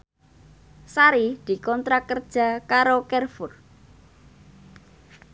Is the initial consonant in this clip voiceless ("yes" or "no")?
yes